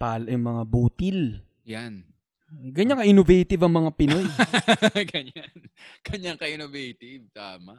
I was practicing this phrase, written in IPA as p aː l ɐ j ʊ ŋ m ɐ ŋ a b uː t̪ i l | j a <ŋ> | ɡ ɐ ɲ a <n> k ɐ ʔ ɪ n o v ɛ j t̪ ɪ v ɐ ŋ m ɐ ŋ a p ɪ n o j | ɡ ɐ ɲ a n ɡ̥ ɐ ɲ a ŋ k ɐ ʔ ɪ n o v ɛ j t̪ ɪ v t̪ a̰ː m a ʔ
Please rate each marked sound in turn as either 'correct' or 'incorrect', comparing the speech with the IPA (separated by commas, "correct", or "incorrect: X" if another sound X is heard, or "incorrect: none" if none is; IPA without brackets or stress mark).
incorrect: n, incorrect: ŋ